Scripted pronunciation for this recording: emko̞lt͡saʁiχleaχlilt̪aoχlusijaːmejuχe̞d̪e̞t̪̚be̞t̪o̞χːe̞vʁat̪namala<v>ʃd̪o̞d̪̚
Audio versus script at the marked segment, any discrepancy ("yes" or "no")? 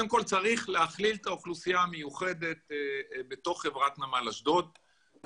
yes